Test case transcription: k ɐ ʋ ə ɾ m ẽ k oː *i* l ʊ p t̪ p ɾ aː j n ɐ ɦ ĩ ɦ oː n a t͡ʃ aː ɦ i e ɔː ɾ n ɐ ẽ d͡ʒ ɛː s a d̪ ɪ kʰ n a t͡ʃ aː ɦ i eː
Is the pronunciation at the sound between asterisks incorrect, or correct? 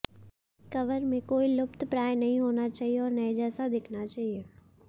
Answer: correct